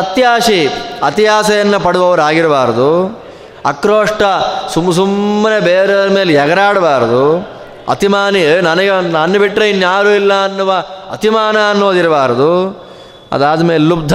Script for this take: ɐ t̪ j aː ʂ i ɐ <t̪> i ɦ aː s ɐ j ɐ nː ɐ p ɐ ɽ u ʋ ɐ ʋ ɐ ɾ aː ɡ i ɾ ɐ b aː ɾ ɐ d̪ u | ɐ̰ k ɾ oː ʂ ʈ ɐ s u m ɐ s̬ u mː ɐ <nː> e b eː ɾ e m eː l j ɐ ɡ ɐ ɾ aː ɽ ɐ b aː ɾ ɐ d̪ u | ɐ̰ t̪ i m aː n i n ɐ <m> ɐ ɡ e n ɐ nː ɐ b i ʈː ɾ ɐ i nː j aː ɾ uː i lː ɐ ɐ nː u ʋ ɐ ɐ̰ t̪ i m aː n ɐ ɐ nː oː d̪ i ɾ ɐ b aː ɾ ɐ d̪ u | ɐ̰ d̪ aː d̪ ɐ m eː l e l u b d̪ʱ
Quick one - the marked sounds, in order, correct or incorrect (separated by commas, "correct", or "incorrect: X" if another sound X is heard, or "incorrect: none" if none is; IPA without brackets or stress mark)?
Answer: correct, incorrect: n, incorrect: n